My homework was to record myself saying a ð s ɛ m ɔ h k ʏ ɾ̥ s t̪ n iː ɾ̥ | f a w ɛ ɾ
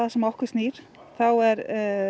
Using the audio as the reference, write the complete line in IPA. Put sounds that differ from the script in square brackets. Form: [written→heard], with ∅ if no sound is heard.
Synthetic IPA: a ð s ɛ m ɔ h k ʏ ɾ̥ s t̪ n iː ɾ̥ | [f→θ] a w ɛ ɾ